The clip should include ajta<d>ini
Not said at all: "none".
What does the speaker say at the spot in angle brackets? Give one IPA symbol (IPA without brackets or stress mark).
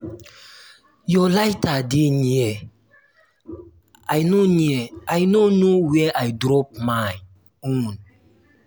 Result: d